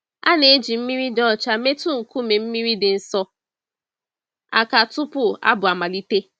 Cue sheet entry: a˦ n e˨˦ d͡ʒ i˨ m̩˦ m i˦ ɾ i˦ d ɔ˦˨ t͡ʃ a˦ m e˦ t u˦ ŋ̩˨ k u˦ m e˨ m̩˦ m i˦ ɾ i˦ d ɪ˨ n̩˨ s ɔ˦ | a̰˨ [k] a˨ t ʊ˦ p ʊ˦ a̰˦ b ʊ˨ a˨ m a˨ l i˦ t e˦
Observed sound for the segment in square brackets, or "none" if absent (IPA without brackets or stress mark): k